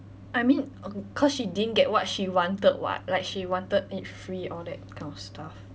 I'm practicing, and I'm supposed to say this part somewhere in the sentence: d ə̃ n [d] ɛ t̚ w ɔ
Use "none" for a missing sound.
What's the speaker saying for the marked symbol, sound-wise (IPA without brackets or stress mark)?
ɡ